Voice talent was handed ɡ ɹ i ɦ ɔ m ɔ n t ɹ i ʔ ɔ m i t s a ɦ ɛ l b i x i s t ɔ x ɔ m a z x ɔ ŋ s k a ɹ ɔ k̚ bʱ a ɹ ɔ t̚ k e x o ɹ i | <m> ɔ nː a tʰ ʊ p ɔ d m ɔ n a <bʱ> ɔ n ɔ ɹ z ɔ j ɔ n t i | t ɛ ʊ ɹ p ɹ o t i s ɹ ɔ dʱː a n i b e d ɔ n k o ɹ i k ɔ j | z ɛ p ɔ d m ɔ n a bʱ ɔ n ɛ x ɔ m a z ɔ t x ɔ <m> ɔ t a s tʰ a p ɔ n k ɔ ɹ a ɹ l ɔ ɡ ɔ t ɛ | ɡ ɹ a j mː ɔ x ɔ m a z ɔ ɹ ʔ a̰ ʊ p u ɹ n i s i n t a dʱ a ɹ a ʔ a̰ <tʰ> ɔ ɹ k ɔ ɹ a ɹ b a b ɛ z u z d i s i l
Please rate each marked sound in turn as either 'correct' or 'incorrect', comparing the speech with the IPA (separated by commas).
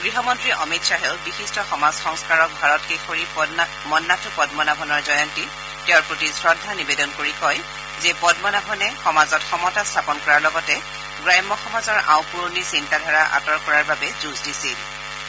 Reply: correct, correct, correct, incorrect